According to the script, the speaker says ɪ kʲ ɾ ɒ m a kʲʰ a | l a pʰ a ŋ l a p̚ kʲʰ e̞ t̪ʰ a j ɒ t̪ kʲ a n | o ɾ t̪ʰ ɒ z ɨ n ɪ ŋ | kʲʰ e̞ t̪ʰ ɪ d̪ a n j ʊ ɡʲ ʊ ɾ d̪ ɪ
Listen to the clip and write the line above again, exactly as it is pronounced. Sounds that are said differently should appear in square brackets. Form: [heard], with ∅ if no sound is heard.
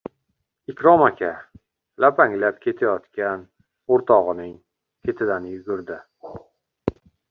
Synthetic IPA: ɪ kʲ ɾ ɒ m a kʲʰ a | l a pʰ a ŋ l a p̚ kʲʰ e̞ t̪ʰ a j ɒ t̪ kʲ a n | o ɾ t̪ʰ ɒ [ʁ] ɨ n ɪ ŋ | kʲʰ e̞ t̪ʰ ɪ d̪ a n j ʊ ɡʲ ʊ ɾ d̪ ɪ